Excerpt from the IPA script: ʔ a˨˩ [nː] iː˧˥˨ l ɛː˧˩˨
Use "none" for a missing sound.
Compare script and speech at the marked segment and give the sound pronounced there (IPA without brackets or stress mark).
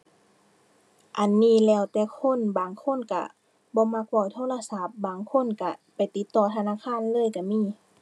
nː